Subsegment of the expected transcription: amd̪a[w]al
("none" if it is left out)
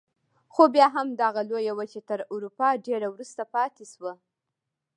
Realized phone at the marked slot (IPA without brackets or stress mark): ɣ